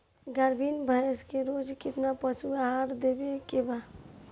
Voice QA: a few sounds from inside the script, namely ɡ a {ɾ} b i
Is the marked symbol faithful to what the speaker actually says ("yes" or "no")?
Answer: yes